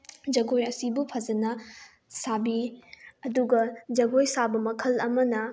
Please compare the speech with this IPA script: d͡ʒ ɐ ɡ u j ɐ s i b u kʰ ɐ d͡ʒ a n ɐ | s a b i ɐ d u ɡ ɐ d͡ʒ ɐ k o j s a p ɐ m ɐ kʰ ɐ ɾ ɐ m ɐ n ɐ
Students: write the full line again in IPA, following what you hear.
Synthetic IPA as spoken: d͡ʒ ɐ ɡ o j ɐ s i b u pʰ ɐ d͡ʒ ɐ n ɐ | s a b i ɐ d u ɡ ɐ d͡ʒ ɐ ɡ o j s a b ɐ m ɐ kʰ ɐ l ɐ m ɐ n ɐ